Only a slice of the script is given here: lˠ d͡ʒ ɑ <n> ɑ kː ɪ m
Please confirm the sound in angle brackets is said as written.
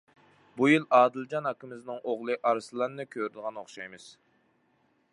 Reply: yes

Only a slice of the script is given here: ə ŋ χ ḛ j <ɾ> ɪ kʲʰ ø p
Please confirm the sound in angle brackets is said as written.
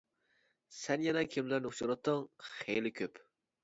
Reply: no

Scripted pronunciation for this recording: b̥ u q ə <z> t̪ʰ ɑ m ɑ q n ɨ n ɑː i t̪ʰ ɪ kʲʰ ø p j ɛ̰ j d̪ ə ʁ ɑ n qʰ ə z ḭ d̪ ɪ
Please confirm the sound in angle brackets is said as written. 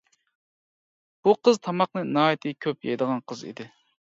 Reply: yes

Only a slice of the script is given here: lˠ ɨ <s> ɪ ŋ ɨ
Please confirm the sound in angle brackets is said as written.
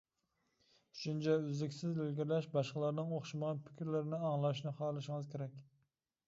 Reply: no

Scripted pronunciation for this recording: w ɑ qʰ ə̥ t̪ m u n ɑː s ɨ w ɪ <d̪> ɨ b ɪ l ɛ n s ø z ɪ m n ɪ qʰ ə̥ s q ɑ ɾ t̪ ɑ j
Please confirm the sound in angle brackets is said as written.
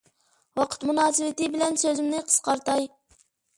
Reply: no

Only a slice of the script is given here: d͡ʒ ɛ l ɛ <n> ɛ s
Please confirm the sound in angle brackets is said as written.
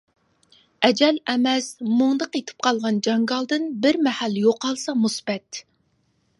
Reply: no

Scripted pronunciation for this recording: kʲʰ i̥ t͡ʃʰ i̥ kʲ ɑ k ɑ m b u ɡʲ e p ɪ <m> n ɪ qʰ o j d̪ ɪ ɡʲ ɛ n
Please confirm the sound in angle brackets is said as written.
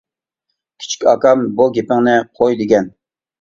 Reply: no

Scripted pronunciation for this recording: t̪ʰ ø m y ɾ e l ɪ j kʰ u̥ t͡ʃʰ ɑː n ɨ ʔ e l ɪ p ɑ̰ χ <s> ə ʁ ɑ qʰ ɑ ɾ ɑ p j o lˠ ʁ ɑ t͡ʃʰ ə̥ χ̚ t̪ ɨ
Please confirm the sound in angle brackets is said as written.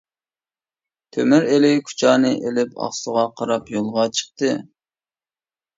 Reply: yes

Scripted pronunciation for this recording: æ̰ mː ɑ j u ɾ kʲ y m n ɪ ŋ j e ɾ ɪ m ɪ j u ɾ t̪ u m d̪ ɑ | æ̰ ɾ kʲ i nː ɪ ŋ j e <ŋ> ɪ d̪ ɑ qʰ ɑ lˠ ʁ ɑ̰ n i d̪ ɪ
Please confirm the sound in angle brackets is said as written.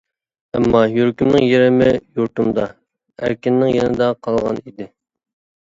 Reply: no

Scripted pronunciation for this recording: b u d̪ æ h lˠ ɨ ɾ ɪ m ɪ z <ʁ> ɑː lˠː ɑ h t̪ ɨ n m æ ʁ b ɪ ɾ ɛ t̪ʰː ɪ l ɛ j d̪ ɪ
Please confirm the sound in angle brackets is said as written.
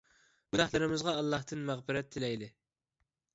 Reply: yes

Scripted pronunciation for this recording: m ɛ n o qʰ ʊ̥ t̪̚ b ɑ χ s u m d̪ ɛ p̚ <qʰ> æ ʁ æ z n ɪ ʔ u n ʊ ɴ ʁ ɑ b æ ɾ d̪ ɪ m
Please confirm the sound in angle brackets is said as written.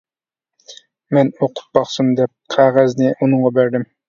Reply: yes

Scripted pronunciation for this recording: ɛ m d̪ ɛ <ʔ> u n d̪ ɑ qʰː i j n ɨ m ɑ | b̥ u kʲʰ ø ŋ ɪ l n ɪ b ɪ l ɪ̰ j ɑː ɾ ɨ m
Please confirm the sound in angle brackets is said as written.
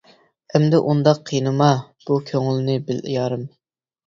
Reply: yes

